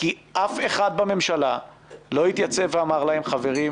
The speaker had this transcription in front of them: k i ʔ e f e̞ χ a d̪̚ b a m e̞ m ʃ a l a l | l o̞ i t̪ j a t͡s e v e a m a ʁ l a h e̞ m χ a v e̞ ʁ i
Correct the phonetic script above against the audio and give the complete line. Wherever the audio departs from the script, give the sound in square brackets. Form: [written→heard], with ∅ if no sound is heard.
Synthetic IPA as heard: k i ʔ [e→a] f e̞ χ a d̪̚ b a m e̞ m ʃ a l a [l→∅] | l o̞ i t̪ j a t͡s e v e a m a ʁ l a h e̞ m χ a v e̞ ʁ i